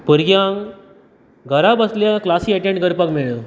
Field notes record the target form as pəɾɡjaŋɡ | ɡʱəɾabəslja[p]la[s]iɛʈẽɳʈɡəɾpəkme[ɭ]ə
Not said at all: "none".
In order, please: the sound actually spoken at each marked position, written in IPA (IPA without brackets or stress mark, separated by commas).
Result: k, s, ɭ